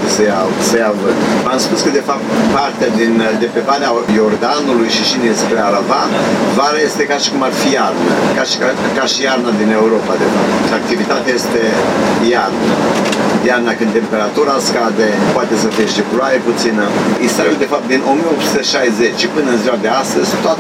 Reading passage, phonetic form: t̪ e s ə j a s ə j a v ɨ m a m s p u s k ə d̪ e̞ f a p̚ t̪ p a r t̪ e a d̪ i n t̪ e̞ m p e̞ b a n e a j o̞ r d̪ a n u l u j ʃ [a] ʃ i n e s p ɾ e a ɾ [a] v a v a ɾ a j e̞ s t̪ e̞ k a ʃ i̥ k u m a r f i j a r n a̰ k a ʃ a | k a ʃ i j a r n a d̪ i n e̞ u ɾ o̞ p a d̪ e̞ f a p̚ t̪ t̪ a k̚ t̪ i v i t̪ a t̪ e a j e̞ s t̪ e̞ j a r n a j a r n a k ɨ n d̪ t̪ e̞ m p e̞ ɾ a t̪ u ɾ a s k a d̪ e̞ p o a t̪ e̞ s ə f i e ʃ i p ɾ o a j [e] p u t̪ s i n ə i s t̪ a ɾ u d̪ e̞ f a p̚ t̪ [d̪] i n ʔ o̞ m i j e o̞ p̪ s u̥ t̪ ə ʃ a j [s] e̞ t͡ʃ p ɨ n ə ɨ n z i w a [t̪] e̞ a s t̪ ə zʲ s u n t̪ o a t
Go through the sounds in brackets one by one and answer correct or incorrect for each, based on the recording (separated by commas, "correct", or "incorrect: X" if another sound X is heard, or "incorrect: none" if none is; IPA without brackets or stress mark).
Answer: incorrect: i, correct, correct, correct, incorrect: z, incorrect: d̪